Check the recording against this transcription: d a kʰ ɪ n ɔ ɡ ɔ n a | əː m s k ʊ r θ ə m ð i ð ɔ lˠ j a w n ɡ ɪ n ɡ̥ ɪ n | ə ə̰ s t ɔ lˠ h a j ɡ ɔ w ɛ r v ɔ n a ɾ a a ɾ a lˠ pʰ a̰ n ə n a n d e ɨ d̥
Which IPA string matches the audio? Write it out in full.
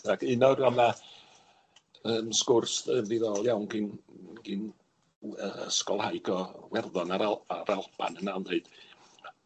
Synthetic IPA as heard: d a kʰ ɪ n ɔ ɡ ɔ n a | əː m s k ʊ r s ə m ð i ð ɔ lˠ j a w n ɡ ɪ n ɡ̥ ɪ n | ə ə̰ s k ɔ lˠ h a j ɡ ɔ w ɛ r ð ɔ n a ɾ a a ɾ a lˠ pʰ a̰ n ə n a n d e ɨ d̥